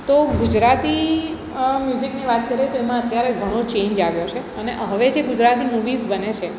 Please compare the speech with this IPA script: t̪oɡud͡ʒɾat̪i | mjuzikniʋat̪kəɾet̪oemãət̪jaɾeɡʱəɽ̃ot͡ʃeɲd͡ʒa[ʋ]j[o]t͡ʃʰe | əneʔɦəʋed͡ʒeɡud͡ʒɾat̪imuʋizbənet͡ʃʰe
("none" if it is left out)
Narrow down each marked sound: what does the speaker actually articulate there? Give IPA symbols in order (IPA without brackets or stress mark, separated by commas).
ʋ, o